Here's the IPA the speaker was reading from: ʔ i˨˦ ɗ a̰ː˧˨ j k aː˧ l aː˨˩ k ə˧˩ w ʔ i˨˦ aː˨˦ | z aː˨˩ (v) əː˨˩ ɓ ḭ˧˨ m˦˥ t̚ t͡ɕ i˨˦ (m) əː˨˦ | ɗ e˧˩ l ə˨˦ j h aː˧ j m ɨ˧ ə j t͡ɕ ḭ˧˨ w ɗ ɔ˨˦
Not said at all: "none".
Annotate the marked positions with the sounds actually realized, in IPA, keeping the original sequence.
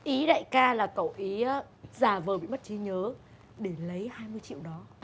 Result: v, ɲ

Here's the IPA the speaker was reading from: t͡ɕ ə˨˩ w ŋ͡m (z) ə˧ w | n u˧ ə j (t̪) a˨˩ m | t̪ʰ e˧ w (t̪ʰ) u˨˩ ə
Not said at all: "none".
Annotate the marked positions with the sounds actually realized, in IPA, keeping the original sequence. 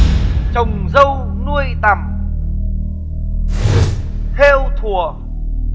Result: z, t̪, t̪ʰ

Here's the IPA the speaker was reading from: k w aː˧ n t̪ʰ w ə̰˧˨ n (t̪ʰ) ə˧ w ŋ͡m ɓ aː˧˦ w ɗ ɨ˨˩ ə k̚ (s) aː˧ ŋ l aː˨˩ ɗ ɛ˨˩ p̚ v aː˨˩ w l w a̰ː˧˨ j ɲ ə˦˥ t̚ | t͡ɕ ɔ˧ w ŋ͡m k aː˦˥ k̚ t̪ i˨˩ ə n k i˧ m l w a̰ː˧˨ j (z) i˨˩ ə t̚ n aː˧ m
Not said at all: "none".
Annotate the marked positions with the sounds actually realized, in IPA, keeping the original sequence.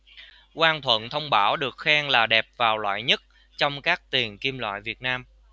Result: t̪ʰ, x, v

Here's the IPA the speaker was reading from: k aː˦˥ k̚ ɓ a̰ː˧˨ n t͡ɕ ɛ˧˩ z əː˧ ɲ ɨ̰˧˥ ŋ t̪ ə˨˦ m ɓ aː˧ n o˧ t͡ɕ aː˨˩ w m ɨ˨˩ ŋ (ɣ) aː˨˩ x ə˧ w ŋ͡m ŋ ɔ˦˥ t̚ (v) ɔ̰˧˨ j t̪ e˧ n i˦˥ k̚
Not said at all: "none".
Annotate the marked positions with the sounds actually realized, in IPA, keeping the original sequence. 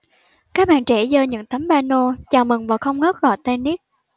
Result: v, ɣ

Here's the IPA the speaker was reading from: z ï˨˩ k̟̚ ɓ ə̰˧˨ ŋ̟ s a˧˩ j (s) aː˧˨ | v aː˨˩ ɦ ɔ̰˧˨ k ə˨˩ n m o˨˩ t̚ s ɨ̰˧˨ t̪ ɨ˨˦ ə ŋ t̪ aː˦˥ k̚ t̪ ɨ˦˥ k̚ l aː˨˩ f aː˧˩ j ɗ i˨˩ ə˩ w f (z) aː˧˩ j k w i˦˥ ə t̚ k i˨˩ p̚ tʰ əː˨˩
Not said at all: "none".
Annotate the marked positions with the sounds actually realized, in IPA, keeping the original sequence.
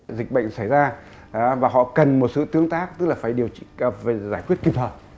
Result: z, z

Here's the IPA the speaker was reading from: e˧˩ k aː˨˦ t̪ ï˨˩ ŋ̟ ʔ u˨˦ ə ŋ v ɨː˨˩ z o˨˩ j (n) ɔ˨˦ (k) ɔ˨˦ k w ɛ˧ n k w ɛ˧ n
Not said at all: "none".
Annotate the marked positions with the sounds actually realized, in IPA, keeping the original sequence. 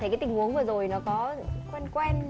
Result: n, k

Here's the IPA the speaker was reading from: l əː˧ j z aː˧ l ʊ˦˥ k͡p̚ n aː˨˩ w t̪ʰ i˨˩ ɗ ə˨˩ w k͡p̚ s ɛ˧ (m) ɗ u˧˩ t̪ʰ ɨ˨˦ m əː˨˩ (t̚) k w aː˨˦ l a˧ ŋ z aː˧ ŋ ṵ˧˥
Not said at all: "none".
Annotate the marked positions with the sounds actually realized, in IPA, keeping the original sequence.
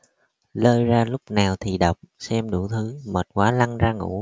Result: m, t̚

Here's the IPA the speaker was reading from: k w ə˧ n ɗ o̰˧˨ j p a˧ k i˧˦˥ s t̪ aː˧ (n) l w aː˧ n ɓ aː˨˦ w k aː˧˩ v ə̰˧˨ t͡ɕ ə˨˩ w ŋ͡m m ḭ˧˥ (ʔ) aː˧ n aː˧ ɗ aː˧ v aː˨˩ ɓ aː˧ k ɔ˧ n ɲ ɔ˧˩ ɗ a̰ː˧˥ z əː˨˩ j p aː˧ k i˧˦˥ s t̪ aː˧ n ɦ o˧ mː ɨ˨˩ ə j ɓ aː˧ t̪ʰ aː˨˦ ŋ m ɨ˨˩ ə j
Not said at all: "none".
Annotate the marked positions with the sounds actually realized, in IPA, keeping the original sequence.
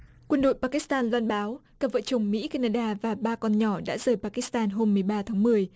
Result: n, k

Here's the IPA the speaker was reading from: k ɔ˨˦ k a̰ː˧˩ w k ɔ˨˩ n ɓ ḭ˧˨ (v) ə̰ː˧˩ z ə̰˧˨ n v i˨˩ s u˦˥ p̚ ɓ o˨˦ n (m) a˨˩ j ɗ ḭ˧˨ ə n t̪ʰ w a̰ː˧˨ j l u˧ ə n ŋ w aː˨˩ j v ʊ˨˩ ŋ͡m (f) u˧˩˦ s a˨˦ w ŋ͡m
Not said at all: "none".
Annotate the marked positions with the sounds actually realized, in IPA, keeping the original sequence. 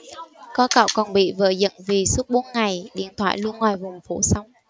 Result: v, ŋ, f

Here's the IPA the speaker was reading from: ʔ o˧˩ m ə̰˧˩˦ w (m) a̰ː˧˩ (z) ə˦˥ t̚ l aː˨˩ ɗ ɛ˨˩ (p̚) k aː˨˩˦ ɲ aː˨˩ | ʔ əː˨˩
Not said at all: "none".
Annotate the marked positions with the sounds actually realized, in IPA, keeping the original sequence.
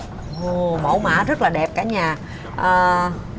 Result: m, z, p̚

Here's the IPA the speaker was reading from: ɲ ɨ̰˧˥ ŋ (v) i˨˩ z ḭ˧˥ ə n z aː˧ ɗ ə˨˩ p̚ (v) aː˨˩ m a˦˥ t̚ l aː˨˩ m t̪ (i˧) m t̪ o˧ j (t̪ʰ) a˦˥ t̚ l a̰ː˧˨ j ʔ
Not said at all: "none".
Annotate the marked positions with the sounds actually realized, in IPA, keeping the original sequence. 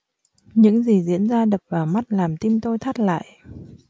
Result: z, v, i˧, t̪ʰ

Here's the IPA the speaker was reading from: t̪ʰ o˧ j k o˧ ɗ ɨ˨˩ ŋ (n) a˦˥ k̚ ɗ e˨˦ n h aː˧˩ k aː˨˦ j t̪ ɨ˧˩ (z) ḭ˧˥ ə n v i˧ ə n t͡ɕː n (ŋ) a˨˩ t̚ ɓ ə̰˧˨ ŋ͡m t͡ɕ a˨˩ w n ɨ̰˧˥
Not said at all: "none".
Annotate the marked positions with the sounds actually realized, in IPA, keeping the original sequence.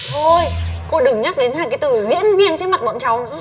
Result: ɲ, z, m

